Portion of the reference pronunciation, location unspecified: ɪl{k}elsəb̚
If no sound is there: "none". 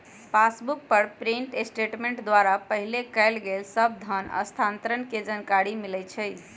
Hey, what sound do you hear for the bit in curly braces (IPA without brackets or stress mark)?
ɡ